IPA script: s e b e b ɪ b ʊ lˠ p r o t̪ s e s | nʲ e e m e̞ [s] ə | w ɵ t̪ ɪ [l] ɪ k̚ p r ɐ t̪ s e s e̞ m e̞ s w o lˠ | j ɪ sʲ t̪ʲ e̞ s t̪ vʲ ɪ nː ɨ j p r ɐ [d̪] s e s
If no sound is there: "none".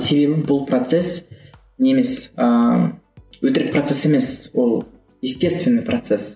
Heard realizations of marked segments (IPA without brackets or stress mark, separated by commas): s, ɾ, t̪